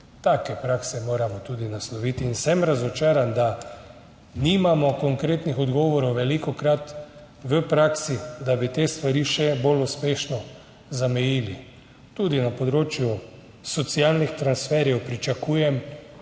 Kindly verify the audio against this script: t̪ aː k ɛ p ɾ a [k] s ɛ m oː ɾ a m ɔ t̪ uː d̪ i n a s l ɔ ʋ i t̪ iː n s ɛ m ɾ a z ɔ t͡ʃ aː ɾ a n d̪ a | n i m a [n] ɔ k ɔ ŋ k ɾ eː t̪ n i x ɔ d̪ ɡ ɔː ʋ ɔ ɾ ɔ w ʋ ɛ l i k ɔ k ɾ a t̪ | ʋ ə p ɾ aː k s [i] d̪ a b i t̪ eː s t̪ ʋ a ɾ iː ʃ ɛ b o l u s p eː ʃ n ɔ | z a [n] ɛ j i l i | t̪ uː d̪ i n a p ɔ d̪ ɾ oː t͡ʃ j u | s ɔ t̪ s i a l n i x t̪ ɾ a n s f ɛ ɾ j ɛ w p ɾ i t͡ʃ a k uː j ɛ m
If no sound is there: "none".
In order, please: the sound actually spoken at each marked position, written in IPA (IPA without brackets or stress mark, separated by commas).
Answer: k, m, i, m